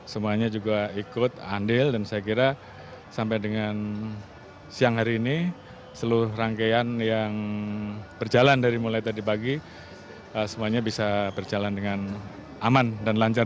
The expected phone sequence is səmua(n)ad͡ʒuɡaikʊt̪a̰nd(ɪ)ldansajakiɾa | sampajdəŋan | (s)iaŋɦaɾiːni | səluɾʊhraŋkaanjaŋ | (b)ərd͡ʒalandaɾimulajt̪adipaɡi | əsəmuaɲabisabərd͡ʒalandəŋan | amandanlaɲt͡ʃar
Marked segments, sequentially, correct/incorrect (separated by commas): incorrect, correct, correct, correct